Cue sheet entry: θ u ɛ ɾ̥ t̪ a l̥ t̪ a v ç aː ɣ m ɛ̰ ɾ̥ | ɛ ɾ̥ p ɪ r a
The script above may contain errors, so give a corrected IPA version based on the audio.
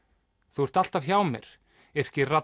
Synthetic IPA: θ u ɛ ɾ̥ t̪ a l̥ t̪ a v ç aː w m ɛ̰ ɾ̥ | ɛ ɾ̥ c ɪ r a